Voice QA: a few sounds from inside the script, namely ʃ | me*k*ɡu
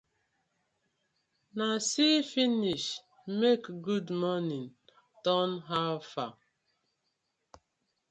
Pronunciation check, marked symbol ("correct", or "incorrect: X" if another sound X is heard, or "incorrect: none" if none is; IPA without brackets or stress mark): correct